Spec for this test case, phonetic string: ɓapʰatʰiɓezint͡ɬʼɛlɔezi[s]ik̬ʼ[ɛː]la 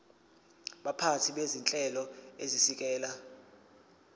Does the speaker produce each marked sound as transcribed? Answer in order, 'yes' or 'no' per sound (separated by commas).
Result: yes, yes